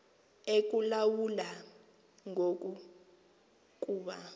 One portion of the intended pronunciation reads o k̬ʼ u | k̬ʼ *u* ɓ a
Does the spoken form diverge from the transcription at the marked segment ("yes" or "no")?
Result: yes